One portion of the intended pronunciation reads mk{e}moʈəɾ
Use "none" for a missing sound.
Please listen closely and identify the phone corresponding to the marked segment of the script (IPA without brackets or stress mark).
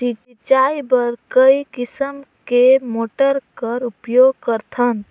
e